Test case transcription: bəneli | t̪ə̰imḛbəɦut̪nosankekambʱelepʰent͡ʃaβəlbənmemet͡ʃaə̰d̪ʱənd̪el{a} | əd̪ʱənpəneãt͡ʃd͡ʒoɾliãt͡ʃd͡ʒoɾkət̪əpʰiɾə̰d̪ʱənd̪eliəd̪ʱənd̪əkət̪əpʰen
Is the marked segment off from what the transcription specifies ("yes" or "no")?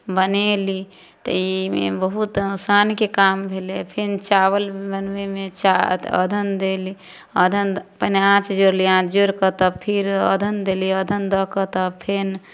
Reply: yes